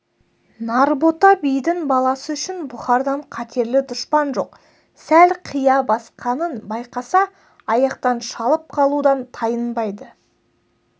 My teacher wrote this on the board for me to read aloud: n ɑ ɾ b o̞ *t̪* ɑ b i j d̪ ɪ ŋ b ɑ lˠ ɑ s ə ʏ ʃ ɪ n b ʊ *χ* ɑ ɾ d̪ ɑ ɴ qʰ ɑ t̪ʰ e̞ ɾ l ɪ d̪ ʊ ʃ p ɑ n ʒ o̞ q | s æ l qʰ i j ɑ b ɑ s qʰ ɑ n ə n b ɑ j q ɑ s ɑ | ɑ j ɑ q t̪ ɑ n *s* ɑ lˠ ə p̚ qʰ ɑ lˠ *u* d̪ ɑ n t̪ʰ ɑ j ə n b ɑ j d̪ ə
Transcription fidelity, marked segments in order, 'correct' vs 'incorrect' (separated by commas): correct, correct, incorrect, correct